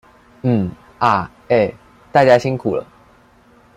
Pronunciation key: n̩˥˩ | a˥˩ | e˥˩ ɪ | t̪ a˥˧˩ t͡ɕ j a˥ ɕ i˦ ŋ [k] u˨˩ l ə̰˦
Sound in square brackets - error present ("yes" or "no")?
yes